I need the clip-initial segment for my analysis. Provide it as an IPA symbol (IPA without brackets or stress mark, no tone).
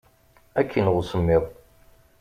æ